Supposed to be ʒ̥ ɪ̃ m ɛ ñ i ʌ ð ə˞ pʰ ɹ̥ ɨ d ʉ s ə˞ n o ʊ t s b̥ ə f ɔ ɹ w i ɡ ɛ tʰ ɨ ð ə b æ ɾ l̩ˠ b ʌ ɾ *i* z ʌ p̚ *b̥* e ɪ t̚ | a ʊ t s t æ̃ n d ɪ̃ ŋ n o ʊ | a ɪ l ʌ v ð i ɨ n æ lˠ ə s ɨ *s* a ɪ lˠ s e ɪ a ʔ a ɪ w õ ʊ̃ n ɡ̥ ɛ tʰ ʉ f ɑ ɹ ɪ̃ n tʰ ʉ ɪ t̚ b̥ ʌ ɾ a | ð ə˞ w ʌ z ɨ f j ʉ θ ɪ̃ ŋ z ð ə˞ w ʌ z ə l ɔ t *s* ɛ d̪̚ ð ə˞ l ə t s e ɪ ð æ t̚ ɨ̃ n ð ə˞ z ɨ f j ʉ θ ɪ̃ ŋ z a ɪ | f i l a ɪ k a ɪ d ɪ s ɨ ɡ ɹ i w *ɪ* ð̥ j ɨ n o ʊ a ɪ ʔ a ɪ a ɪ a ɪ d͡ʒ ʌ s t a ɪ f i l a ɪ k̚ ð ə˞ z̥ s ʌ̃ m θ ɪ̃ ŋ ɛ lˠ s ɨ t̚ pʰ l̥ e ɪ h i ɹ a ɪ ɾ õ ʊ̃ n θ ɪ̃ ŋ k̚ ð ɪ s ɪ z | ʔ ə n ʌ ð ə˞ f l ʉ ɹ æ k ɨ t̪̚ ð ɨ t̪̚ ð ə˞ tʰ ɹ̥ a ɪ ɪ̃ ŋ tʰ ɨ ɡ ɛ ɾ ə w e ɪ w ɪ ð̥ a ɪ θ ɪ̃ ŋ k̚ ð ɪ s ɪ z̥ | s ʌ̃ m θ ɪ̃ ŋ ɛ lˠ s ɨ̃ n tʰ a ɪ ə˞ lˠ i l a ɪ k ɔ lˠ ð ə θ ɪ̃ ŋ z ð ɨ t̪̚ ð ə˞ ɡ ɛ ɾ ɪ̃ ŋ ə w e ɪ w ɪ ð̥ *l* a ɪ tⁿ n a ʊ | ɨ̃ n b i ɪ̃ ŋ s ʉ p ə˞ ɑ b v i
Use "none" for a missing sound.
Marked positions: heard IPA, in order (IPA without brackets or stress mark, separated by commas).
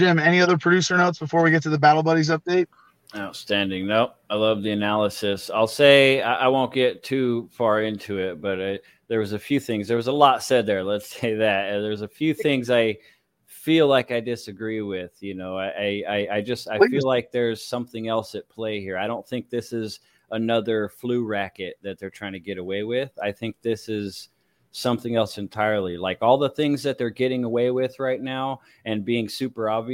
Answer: i, d̥, s, s, ɪ, ɹ